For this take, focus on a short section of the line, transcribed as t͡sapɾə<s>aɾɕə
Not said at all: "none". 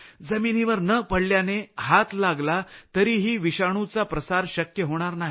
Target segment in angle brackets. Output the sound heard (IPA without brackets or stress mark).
s